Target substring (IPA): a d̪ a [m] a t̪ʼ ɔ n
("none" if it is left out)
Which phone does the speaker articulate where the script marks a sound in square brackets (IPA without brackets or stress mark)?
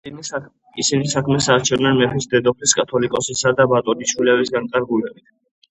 b